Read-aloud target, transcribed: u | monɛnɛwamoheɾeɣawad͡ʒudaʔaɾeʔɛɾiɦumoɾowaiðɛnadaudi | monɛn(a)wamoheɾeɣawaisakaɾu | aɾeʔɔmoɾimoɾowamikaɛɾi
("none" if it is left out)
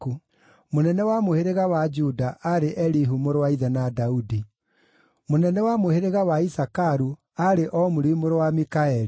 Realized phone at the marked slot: ɛ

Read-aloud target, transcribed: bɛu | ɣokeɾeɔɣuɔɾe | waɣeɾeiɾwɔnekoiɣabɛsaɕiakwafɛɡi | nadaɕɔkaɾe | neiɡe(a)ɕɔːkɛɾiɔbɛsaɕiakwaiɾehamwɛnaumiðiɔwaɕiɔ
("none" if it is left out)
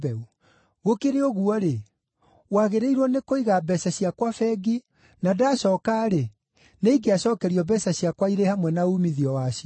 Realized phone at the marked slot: a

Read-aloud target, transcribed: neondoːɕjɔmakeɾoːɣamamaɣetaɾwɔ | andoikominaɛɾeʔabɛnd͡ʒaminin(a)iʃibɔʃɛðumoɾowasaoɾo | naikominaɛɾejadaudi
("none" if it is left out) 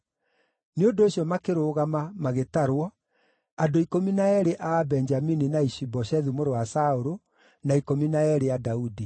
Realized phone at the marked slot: a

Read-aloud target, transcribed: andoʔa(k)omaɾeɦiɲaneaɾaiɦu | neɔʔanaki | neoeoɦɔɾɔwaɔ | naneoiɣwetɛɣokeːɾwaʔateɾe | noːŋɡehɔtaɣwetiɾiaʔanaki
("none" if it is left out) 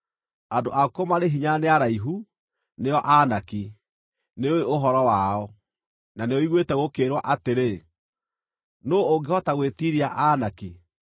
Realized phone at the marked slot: k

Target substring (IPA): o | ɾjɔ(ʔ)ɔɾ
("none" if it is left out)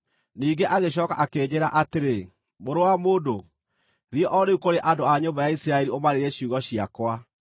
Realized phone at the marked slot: ʔ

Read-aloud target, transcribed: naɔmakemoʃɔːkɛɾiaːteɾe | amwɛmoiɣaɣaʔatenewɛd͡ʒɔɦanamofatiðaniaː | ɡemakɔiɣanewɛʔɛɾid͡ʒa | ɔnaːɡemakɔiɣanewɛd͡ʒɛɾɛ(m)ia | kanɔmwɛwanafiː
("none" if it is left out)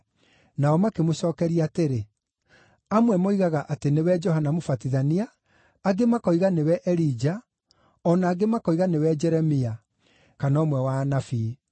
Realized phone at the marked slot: m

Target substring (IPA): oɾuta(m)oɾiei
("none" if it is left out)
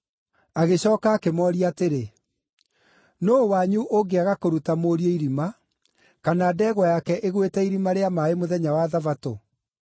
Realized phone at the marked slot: m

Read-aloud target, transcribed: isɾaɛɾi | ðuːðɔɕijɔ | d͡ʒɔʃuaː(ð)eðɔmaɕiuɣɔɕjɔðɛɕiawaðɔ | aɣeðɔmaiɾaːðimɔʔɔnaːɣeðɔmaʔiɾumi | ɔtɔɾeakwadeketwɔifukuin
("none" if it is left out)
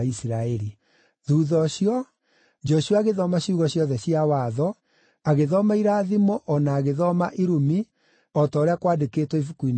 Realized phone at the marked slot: ɣ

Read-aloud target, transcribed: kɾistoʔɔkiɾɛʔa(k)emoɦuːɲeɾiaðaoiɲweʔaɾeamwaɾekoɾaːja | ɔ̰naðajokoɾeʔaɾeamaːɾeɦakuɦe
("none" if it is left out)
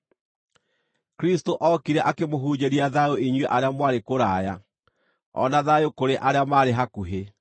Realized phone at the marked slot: k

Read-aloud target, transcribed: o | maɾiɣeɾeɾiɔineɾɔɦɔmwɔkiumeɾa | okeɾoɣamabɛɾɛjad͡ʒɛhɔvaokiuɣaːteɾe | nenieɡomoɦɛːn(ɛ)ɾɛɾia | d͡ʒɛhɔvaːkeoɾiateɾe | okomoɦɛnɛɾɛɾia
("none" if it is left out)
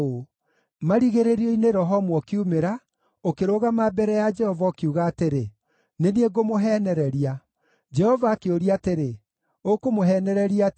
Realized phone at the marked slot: ɛ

